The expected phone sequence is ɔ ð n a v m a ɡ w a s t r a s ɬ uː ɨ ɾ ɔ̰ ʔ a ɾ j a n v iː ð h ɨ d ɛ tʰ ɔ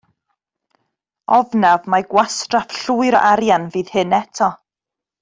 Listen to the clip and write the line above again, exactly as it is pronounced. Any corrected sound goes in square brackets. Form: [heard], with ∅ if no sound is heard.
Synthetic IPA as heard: ɔ [v] n a v m a ɡ w a s t r a [f] ɬ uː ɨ ɾ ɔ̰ ʔ a ɾ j a n v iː ð h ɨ [n] ɛ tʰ ɔ

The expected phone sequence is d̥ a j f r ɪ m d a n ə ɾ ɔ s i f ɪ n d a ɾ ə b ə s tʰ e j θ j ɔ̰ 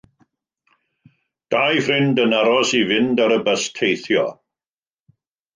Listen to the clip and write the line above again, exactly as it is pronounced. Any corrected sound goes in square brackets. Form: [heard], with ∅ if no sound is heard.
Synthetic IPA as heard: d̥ a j f r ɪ [n] d [ə] n [a] ɾ ɔ s i [v] ɪ n d a ɾ ə b ə s tʰ e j θ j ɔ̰

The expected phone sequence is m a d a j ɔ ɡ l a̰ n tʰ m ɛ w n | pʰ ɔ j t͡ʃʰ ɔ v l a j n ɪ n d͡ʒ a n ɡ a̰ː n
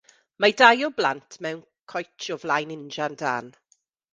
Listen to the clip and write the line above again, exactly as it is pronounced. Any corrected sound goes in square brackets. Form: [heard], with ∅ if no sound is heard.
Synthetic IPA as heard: m a d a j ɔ [b] l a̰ n tʰ m ɛ w n | [kʰ] ɔ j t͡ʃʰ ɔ v l a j n ɪ n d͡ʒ a n [d] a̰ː n

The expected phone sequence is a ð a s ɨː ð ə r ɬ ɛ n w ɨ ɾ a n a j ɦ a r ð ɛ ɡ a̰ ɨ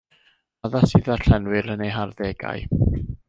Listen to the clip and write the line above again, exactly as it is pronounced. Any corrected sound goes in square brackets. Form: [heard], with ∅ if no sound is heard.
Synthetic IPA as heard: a ð a s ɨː ð [a] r ɬ ɛ n w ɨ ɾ [ə] n [e] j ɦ a r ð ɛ ɡ a̰ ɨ

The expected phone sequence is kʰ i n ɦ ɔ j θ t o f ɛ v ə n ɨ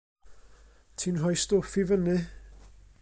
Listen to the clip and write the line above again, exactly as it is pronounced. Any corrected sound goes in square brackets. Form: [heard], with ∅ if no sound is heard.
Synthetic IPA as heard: [tʰ] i n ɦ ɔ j [s] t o f [i] v ə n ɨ

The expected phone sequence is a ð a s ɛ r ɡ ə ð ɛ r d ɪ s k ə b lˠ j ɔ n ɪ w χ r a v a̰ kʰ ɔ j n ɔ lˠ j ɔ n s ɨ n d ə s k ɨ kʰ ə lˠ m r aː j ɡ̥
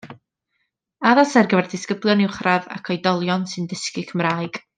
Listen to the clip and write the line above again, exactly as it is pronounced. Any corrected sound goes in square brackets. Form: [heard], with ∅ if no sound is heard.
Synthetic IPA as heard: a ð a s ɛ r ɡ ə [v] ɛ r d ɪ s k ə b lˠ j ɔ n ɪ w χ r a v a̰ kʰ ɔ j [d] ɔ lˠ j ɔ n s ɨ n d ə s k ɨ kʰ ə [∅] m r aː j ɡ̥

